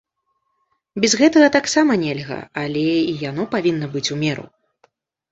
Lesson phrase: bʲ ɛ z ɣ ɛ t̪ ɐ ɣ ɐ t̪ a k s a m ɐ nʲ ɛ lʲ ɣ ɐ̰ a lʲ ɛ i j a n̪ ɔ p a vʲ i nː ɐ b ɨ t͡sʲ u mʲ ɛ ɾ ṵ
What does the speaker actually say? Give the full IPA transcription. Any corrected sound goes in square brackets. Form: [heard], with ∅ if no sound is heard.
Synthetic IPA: bʲ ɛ z ɣ ɛ t̪ ɐ ɣ ɐ t̪ a k s a m ɐ nʲ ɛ lʲ ɣ ɐ̰ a lʲ ɛ i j a n̪ ɔ p a vʲ i nː ɐ b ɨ t͡sʲ u mʲ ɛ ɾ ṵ